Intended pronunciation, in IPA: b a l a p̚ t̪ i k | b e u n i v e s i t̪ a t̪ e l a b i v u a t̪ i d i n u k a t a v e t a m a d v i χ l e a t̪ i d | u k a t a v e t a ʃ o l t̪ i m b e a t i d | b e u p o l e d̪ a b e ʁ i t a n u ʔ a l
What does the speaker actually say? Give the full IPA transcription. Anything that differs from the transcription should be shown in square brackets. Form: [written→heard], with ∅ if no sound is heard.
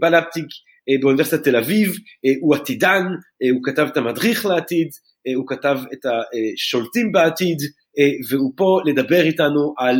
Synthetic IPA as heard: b a l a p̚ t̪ i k | b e u n i v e s i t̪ a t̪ e l a [b→v] i v u a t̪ i d [i→a] n u k a t a v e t a m a d [v→ʁ] i χ l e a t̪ i d | u k a t a v e t a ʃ o l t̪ i m b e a t i d | [b→v] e u p o l e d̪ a b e ʁ i t a n u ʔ a l